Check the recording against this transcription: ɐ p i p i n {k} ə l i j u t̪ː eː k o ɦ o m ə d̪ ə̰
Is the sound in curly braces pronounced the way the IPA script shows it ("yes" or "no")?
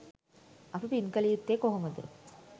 yes